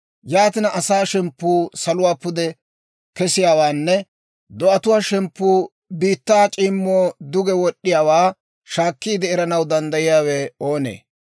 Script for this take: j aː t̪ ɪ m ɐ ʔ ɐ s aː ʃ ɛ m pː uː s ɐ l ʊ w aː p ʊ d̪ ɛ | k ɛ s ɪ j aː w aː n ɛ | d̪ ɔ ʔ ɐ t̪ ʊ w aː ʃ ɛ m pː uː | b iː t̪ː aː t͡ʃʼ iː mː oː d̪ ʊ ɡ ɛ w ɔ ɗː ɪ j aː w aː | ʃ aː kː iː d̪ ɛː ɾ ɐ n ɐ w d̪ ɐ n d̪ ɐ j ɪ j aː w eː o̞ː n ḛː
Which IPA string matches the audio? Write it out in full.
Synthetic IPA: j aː t̪ ɪ n ɐ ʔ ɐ s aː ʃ ɛ m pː uː s ɐ l ʊ w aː p ʊ d̪ ɛ | k ɛ s ɪ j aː w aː nː ɛ | d̪ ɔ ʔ ɐ t̪ ʊ w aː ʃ ɛ m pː uː | b iː t̪ː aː t͡ʃʼ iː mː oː d̪ ʊ ɡ ɛ w ɔ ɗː ɪ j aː w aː | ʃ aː kː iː d̪ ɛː ɾ ɐ n ɐ w d̪ ɐ n d̪ ɐ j ɪ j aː w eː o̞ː n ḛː